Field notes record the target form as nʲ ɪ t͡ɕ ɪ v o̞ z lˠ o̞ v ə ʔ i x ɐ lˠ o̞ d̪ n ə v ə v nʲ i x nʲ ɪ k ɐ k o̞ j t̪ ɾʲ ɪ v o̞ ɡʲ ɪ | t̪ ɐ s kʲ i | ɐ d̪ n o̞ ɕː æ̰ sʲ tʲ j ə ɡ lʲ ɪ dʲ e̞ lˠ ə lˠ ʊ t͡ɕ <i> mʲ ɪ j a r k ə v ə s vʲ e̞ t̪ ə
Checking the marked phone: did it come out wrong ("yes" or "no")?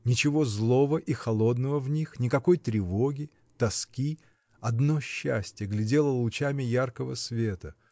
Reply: yes